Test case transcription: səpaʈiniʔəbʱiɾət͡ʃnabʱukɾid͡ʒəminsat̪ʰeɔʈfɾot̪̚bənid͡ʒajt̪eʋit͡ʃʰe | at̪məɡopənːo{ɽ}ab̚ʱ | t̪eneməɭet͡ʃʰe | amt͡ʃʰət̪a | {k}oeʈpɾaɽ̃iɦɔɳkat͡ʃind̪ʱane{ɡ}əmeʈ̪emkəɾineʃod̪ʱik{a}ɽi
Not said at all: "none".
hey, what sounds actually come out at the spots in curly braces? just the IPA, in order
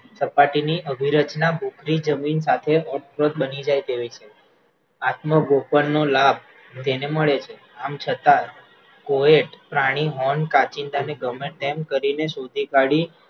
l, k, ɡ, a

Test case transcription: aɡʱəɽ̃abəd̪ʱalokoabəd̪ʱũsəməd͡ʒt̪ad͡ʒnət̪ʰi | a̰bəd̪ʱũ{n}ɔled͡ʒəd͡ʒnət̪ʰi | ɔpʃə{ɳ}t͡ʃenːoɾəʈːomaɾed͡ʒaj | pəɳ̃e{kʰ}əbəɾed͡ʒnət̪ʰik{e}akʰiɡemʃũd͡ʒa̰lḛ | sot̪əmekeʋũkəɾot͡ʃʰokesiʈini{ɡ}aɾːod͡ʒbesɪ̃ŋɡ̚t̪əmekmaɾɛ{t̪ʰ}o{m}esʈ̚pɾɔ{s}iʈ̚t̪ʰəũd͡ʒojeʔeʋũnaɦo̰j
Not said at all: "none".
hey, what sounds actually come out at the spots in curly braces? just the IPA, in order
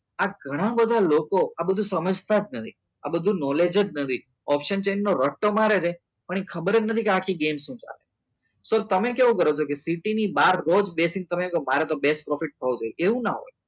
n, n, kʰ, e, b, t̪, b, f

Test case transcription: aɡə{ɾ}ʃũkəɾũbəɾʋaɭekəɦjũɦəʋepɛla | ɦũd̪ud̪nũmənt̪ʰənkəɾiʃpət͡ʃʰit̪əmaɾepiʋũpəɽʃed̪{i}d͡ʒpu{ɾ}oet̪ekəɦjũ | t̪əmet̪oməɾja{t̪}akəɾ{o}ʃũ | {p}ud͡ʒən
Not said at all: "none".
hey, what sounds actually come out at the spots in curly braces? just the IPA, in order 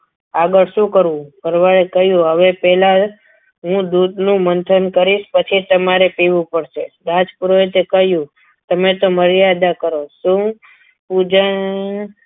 ɭ, a, ɾ, d̪, o, p

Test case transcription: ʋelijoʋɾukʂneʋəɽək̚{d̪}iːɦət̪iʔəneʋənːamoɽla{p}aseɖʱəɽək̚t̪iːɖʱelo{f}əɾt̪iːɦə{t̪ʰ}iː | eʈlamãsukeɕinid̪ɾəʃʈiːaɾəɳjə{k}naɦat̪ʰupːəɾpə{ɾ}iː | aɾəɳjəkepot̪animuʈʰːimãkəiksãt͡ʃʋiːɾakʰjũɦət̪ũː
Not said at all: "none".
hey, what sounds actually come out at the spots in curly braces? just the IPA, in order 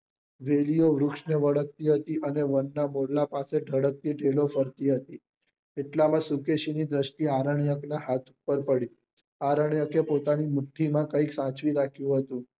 t̪, p, f, t̪, k, ɽ

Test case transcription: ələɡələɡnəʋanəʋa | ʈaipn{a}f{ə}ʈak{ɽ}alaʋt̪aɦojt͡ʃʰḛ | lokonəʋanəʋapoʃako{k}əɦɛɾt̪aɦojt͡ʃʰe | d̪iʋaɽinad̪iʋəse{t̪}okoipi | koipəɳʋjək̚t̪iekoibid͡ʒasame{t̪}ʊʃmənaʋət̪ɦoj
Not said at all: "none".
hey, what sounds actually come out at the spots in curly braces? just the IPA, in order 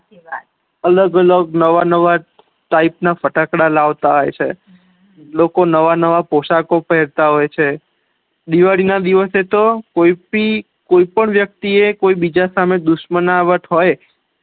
a, ə, ɽ, p, t̪, d̪

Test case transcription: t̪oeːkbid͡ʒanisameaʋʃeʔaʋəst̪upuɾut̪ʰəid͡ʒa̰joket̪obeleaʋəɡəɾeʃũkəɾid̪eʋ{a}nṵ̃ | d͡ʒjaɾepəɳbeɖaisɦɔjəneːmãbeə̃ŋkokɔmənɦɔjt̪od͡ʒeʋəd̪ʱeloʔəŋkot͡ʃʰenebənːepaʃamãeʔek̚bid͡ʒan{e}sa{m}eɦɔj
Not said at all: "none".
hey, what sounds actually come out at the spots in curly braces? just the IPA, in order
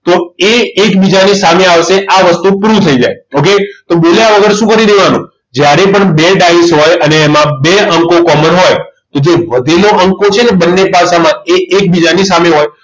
a, i, m

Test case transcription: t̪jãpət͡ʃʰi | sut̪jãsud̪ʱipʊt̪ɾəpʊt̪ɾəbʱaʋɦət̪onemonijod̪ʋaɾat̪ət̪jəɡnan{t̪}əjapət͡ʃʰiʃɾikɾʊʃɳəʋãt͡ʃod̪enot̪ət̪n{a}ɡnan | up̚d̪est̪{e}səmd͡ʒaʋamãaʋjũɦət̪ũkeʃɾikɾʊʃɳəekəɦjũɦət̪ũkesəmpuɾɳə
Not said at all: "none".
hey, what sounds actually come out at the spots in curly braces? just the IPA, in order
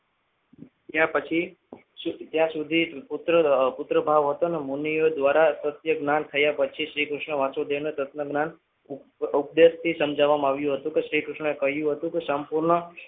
t̪ʰ, ə, i

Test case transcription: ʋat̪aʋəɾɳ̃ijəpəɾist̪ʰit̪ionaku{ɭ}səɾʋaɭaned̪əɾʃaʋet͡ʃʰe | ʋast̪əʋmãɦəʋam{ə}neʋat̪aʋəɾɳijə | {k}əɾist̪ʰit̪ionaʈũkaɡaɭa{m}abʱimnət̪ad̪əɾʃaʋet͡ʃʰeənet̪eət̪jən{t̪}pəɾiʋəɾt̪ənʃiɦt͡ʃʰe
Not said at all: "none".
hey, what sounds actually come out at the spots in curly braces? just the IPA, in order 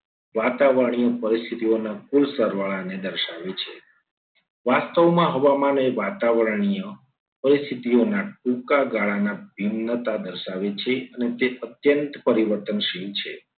l, a, p, n, t̪

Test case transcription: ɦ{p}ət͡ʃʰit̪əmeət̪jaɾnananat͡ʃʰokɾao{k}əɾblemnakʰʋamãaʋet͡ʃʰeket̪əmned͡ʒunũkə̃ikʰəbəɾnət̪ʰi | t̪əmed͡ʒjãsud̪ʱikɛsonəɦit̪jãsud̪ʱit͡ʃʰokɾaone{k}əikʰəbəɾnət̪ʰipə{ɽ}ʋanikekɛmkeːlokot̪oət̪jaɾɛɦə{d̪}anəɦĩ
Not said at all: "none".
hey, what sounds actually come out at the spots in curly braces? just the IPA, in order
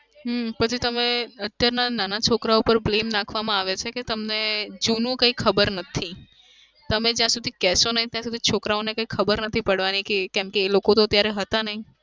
p, p, k, ɽ, t̪

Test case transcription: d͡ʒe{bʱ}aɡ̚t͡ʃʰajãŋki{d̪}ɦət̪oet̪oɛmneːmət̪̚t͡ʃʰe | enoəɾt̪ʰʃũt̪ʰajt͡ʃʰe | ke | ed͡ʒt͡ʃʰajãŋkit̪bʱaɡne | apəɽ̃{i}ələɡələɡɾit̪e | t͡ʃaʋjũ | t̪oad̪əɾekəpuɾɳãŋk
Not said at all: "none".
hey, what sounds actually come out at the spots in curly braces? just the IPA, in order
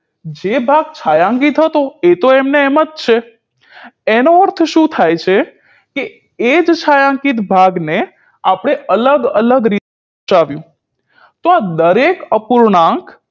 bʱ, t̪, e

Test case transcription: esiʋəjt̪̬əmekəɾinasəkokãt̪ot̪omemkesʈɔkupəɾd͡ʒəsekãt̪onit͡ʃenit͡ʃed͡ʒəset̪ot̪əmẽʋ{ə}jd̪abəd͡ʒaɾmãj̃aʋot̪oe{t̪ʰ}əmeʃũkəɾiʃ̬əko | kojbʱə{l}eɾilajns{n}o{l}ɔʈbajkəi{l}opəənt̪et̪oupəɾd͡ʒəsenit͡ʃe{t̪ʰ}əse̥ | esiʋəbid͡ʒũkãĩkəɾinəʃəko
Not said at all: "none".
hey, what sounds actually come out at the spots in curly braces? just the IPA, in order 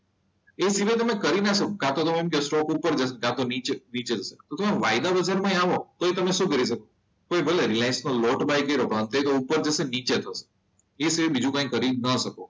a, t̪, l, n, l, ɾ, t̪ʰ

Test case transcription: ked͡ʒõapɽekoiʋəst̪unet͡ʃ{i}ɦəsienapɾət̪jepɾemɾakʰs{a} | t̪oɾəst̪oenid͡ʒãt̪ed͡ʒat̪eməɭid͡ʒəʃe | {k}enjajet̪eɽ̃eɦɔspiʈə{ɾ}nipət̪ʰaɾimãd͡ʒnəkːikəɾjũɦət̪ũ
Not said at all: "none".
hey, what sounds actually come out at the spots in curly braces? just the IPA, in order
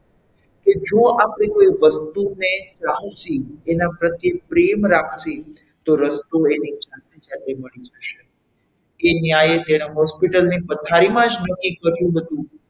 a, i, k, l

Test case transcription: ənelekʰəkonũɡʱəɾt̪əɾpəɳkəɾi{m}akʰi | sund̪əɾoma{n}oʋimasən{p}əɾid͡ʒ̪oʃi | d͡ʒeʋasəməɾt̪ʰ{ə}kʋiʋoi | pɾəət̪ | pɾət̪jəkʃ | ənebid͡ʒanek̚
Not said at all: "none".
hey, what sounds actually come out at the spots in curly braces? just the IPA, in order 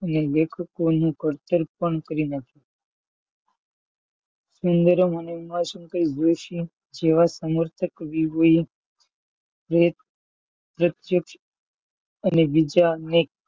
n, n, k, ə

